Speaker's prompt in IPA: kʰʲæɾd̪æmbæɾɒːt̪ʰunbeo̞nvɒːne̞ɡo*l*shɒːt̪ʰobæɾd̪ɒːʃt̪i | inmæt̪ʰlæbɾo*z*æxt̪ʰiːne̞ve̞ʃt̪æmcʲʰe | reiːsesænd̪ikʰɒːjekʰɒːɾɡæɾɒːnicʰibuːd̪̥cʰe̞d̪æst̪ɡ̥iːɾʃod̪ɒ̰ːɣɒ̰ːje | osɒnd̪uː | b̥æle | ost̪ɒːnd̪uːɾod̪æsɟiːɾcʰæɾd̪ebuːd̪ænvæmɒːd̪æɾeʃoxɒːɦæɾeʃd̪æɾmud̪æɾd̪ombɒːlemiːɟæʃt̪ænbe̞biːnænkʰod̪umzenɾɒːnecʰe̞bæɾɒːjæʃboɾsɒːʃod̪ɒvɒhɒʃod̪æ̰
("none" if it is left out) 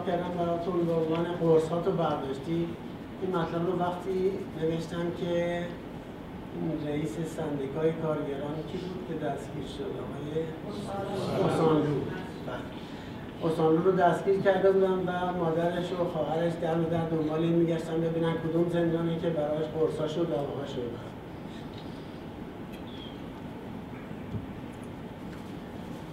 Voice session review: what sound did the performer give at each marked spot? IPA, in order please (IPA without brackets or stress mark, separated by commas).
ɾ, v